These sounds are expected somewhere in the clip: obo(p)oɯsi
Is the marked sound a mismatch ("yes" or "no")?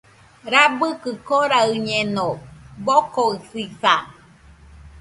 yes